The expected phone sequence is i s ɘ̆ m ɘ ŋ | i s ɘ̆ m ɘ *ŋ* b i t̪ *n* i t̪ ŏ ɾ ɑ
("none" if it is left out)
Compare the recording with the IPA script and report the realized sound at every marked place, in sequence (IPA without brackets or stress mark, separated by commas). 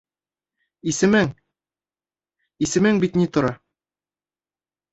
ŋ, n